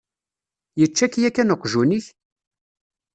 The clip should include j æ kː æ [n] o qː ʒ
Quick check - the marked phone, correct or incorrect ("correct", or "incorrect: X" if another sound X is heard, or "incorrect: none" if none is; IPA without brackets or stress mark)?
correct